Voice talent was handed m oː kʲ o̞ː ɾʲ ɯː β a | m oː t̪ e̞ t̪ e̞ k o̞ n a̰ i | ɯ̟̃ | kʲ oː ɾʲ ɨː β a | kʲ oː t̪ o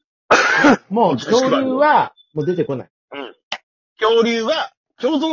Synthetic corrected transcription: m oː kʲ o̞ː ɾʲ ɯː β a | m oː d̪ e̞ t̪ e̞ k o̞ n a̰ i | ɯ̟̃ | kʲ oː ɾʲ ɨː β a | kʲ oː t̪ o